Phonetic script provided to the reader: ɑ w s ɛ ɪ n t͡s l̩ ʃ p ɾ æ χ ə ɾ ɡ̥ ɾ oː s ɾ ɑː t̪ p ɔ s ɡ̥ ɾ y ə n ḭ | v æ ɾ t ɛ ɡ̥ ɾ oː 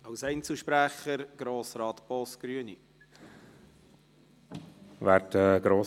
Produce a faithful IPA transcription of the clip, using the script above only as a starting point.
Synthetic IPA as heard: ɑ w s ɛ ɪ n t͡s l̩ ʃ p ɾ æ χ ə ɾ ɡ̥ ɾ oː s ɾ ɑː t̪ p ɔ s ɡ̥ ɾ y ə n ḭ | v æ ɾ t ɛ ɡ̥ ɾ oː